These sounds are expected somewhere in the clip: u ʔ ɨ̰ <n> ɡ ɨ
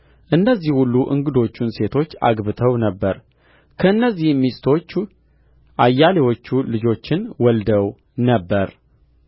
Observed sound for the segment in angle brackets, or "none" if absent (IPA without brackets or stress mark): ŋ